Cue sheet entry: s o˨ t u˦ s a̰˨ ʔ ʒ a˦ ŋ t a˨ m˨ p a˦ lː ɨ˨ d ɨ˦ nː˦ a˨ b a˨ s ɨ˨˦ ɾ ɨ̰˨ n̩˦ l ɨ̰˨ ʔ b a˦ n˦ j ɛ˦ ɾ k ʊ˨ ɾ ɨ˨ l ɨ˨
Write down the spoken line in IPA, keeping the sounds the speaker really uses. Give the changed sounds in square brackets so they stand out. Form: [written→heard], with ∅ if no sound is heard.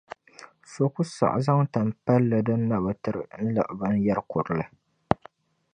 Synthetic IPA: s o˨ [t→k] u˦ s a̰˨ ʔ [ʒ→z] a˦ ŋ t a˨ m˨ p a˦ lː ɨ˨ d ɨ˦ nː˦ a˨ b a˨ [s→t] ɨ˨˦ ɾ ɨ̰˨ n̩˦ l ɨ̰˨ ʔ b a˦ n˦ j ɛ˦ ɾ k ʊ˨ ɾ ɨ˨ l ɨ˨